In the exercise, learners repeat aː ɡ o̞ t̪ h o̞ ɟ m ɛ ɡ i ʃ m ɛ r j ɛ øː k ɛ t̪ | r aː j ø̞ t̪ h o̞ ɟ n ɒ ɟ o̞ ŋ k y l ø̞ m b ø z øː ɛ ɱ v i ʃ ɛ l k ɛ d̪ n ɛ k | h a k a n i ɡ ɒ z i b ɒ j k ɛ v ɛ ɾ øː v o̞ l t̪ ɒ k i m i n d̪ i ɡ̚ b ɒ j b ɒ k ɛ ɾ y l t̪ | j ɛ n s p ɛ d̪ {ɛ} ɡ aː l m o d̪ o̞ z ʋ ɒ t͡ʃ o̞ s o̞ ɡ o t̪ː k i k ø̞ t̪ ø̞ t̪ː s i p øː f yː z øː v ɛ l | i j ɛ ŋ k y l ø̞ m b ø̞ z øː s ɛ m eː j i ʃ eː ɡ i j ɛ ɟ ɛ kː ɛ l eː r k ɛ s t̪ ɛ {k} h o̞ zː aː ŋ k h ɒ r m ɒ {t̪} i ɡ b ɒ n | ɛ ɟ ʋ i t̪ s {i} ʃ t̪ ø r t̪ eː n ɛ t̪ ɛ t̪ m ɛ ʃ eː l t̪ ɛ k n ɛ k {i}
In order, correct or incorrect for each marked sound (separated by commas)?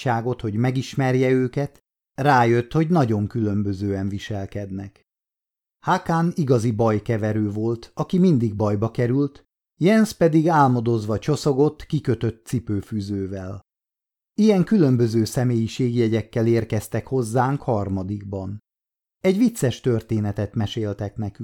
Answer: incorrect, correct, incorrect, incorrect, incorrect